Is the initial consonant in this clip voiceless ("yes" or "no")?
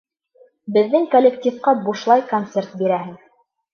no